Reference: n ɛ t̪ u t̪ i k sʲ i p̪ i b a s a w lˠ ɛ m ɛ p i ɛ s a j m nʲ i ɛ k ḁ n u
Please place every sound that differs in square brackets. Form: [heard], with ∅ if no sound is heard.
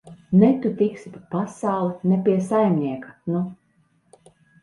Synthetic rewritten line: n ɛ t̪ u t̪ i k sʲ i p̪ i [p] a s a w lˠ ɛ [n] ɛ p i ɛ s a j m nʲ i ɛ k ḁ n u